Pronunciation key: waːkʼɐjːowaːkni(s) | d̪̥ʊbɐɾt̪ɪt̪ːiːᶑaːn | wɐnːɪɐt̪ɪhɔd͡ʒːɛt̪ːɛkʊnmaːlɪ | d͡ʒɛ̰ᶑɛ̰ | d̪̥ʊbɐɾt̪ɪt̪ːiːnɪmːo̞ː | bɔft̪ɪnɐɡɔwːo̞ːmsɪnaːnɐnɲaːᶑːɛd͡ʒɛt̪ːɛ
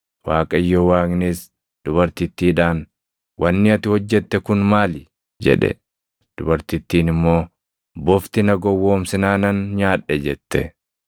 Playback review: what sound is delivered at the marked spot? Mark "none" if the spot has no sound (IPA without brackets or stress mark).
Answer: s